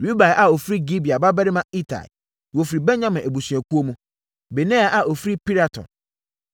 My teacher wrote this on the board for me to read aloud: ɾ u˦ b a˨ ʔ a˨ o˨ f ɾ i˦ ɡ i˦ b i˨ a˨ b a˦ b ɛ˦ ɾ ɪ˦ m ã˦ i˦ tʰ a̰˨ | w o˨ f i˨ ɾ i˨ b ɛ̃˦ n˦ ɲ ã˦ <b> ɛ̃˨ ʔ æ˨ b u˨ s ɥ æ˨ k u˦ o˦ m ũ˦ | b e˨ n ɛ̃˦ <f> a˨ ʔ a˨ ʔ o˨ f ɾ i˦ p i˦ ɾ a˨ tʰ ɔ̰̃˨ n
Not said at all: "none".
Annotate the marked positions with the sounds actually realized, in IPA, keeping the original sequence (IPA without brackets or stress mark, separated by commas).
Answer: m, none